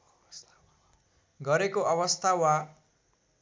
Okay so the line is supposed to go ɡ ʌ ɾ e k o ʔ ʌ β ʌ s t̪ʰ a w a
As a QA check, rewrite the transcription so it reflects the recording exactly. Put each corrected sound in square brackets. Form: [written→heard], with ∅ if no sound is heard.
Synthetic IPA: ɡ ʌ ɾ e k o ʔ ʌ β ʌ s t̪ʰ a w a